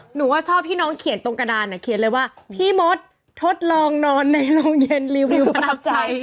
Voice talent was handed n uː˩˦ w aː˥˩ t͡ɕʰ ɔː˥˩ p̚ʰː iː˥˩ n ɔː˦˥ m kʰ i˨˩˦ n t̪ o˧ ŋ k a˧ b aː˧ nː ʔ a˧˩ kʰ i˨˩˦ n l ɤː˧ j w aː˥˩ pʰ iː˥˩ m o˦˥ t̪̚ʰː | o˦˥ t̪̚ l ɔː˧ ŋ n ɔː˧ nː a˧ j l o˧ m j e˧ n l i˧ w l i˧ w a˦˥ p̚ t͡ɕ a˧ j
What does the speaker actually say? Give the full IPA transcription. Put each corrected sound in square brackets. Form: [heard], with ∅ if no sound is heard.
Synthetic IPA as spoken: n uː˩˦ w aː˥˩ t͡ɕʰ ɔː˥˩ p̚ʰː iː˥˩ n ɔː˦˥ [ŋ] kʰ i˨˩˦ n t̪ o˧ ŋ k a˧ [d] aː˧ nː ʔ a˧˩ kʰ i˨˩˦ n l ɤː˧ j w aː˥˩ pʰ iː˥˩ m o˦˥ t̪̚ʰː | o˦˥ t̪̚ l ɔː˧ ŋ n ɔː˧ nː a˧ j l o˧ [ŋ] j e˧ n l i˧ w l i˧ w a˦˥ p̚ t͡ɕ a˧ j